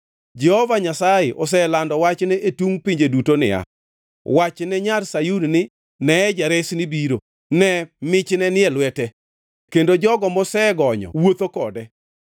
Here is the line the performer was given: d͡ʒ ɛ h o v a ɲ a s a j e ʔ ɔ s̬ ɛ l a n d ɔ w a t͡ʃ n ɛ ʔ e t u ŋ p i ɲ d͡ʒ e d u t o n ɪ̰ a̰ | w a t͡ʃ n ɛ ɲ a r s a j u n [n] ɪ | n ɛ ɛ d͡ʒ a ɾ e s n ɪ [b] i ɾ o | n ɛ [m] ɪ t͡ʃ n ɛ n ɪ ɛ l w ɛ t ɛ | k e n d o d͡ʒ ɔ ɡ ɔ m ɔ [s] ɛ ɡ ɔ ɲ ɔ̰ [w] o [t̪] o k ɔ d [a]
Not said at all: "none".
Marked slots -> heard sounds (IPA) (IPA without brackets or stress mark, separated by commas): n, b, m, s, w, t̪, ɛ